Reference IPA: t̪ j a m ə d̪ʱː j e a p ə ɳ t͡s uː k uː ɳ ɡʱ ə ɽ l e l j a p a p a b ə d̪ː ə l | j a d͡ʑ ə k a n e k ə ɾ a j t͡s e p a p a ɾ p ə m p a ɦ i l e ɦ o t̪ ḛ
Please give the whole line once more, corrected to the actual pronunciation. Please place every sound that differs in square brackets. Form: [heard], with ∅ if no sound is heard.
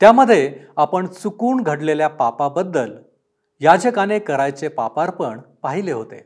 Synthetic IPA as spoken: t̪ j a m ə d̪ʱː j e a p ə ɳ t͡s [u] k uː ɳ ɡʱ ə ɽ l e l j a p a p a b ə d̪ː ə l | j a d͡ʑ ə k a n e k ə ɾ a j t͡s e p a p a ɾ p ə [ɳ] p a ɦ i l e ɦ o t̪ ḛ